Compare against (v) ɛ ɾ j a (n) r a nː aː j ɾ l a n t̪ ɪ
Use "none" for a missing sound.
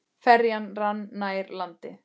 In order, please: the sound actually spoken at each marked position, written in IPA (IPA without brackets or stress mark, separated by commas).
f, n